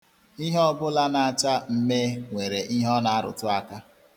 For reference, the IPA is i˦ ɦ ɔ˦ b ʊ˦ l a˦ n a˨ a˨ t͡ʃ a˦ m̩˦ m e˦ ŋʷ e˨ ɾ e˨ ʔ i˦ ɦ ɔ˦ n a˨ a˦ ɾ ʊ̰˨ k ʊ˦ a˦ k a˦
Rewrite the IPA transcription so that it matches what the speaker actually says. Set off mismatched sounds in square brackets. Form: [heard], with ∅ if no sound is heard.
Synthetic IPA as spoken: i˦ ɦ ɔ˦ b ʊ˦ l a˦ n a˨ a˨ t͡ʃ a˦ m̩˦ m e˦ ŋʷ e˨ ɾ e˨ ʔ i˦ ɦ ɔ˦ n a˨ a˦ ɾ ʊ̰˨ [t] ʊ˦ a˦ k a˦